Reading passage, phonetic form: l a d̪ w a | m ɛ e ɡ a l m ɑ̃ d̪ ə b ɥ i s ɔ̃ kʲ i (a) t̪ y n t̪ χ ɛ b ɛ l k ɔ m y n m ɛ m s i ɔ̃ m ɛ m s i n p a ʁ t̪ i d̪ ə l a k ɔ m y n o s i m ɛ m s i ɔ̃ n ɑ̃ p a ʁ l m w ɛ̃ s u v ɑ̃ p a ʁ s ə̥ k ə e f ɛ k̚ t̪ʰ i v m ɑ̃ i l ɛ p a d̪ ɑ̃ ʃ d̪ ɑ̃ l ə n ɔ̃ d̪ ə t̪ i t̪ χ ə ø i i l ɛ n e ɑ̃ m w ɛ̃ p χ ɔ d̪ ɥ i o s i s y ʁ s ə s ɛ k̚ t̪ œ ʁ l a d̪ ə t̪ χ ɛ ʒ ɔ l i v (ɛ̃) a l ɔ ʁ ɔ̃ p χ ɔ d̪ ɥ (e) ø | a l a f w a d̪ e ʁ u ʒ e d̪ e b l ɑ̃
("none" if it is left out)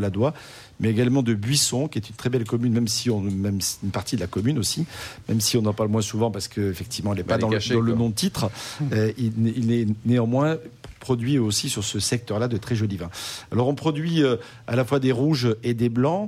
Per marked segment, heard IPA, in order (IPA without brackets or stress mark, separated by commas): ɛ, ɛ̃, i